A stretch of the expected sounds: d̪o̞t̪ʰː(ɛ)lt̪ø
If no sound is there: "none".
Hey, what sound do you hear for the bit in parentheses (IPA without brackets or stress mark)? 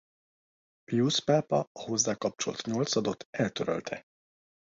ɛ